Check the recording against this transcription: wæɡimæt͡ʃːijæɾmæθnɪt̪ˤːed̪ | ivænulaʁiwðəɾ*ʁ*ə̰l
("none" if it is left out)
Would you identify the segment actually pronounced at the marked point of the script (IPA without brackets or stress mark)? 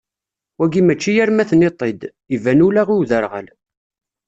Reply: ʁ